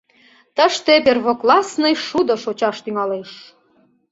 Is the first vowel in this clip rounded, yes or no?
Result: no